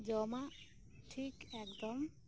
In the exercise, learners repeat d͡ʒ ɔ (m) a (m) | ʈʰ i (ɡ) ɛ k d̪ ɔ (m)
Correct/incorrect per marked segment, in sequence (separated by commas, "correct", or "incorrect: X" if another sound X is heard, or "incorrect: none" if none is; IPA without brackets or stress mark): correct, incorrect: none, incorrect: k, correct